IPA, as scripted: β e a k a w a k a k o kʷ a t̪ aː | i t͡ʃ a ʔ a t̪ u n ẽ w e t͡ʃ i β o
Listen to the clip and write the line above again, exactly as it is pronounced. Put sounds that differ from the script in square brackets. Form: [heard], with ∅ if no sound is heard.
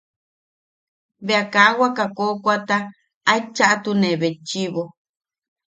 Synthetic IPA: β e a k a w a k a k o kʷ a t̪ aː | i t͡ʃ a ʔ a t̪ u n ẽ [β] e t͡ʃ i β o